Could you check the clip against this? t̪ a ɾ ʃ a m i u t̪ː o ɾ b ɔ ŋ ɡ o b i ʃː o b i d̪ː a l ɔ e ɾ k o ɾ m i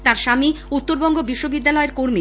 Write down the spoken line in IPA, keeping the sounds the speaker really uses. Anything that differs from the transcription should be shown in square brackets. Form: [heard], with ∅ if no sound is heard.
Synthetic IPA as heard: t̪ a ɾ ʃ a m i u t̪ː o ɾ b ɔ ŋ ɡ o b i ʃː o b i d̪ː a l ɔ e ɾ k o ɾ m i